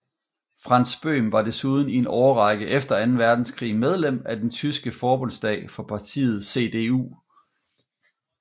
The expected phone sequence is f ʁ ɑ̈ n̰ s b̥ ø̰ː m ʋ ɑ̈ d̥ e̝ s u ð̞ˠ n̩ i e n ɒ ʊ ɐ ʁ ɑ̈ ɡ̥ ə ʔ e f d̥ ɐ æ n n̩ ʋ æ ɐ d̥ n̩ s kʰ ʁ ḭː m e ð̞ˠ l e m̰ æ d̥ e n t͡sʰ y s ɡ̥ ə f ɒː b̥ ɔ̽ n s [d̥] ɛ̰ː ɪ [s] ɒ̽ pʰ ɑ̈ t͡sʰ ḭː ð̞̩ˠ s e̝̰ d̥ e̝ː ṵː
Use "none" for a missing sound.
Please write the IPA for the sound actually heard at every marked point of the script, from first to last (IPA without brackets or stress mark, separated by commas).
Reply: d̥, f